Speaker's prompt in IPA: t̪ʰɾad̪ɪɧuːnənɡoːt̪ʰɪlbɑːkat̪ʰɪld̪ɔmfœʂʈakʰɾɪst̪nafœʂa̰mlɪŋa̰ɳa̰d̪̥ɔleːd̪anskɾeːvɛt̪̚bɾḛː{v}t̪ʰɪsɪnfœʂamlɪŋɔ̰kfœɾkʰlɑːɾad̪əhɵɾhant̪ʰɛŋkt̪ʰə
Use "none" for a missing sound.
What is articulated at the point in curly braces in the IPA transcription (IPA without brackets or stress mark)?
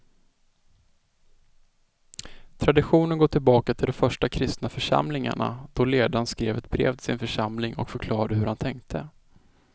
v